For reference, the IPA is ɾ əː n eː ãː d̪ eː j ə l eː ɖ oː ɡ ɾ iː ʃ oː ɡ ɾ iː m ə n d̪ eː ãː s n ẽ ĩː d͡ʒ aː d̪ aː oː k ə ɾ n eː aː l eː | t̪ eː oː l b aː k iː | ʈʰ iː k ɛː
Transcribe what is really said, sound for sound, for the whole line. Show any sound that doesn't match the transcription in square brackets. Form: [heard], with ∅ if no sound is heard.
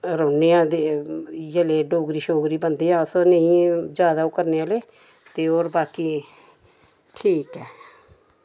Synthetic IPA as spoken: ɾ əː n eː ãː d̪ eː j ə l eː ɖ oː ɡ ɾ iː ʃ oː ɡ ɾ iː [b] ə n d̪ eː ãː s n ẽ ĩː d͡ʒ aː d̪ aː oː k ə ɾ n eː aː l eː | t̪ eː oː [ɾ] b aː k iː | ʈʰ iː k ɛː